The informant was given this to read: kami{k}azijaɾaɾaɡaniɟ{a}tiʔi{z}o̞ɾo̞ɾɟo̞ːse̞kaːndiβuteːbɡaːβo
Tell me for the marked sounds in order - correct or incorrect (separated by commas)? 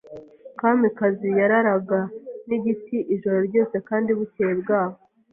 correct, incorrect, incorrect